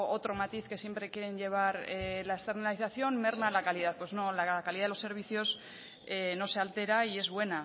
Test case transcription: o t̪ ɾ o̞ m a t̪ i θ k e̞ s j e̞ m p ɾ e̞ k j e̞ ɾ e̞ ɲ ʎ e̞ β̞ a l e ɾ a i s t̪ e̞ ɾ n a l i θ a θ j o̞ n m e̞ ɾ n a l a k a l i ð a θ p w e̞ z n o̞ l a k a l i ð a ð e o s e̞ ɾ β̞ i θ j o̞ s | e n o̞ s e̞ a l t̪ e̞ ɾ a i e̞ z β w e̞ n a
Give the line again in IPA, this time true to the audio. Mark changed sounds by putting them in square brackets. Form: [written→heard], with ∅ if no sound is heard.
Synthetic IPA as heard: o t̪ ɾ o̞ m a t̪ i θ k e̞ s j e̞ m p ɾ e̞ k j e̞ ɾ e̞ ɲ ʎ e̞ β̞ a [l→ɾ] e [ɾ→l] a [i→e] s t̪ e̞ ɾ n a l i θ a θ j o̞ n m e̞ ɾ n a l a k a l i ð a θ p w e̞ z n o̞ l a k a l i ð a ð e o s e̞ ɾ β̞ i θ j o̞ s | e n o̞ s e̞ a l t̪ e̞ ɾ a i e̞ z β w e̞ n a